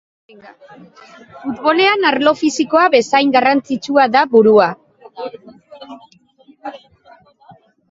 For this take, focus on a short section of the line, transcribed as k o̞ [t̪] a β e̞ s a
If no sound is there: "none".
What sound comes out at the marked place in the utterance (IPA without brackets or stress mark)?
none